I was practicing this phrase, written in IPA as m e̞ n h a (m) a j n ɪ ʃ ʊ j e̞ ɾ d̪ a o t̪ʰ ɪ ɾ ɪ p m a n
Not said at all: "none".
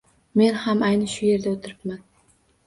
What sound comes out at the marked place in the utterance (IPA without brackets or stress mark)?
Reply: m